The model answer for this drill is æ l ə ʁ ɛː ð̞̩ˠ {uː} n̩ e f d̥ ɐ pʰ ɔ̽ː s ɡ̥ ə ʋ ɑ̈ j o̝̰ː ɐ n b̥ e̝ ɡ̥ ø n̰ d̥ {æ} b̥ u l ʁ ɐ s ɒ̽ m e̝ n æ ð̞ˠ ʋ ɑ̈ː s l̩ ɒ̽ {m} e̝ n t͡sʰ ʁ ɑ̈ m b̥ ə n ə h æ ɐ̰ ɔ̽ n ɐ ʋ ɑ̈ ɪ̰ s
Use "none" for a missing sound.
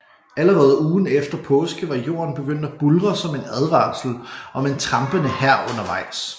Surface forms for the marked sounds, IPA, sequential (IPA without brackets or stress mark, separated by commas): uː, æ, m